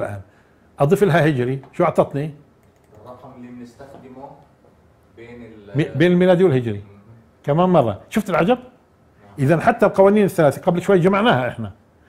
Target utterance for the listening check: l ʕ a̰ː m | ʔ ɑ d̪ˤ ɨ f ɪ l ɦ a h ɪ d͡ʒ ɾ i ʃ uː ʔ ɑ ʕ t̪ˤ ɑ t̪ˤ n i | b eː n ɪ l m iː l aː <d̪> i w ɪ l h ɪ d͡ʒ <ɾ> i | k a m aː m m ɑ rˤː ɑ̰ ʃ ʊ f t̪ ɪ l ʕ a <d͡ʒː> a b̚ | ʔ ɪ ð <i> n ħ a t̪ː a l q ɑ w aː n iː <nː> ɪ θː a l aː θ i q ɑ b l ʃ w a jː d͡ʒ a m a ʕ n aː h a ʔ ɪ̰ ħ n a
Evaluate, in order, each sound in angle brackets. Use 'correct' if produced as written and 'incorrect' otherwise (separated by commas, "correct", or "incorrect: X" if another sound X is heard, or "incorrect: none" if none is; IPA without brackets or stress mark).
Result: correct, correct, incorrect: d͡ʒ, incorrect: a, incorrect: n